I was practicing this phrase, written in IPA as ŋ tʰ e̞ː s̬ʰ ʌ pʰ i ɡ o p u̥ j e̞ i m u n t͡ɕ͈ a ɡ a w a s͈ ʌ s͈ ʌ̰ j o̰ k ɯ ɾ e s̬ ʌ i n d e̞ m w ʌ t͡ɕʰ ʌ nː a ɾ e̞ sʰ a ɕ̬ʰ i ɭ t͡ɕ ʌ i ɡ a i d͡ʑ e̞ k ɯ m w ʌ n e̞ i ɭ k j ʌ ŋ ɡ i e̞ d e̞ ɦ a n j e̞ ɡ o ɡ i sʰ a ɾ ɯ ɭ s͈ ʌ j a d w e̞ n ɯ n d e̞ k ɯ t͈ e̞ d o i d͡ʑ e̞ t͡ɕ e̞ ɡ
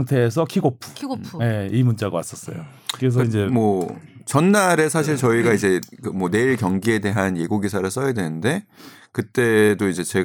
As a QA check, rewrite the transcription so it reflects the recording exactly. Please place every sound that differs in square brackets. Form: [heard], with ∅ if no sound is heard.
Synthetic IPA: ŋ tʰ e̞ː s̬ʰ ʌ [kʰ] i ɡ o [pʰ] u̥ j e̞ i m u n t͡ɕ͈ a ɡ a w a s͈ ʌ s͈ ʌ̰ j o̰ k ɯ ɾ e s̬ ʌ i n [d͡ʑ] e̞ m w ʌ [t͡ɕ] ʌ nː a ɾ e̞ sʰ a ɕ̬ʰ i ɭ t͡ɕ ʌ i ɡ a i d͡ʑ e̞ k ɯ m w ʌ n e̞ i ɭ k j ʌ ŋ ɡ i e̞ d e̞ ɦ a n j e̞ ɡ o ɡ i sʰ a ɾ ɯ ɭ s͈ ʌ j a d w e̞ n ɯ n d e̞ k ɯ t͈ e̞ d o i d͡ʑ e̞ t͡ɕ e̞ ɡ